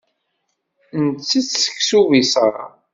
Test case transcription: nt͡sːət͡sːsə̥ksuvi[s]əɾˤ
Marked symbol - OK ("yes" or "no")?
yes